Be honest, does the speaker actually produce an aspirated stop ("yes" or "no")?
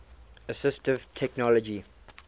yes